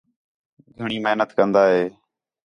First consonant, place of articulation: velar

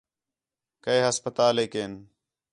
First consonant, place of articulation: velar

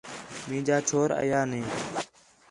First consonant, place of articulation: labial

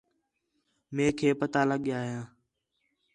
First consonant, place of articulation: labial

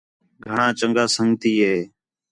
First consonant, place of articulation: velar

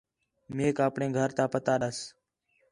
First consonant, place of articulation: labial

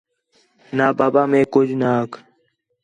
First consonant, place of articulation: alveolar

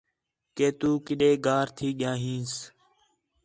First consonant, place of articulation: velar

